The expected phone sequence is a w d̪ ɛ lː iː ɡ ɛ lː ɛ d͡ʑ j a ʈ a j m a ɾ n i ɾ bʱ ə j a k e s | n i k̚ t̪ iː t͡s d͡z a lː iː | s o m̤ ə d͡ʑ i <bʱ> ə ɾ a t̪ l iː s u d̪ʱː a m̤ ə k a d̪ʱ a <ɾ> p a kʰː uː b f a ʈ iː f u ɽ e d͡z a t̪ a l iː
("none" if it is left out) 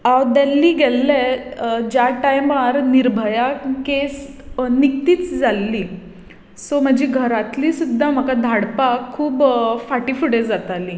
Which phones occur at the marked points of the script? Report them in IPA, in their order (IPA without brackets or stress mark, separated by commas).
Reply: ɡʱ, ɽ